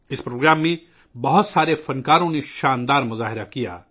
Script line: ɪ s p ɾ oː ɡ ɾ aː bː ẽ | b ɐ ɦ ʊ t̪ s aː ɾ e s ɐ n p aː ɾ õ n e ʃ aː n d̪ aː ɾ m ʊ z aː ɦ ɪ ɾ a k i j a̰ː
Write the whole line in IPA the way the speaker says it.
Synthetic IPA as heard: ɪ s p ɾ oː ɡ ɾ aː mː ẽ | b ɐ ɦ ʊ t̪ s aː ɾ e f ɐ n k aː ɾ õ n e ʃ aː n d̪ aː ɾ m ʊ z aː ɦ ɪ ɾ a k i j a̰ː